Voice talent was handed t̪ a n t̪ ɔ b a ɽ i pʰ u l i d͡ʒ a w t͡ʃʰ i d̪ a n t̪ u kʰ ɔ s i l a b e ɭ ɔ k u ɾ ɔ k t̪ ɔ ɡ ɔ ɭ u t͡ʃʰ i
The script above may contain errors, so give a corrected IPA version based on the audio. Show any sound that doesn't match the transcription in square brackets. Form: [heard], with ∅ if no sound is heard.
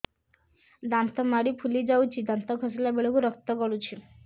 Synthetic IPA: [d̪] a n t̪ ɔ [m] a ɽ i pʰ u l i d͡ʒ a w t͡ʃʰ i d̪ a n t̪ [ɔ] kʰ ɔ s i l a b e ɭ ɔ k u ɾ ɔ k t̪ ɔ ɡ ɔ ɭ u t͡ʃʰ i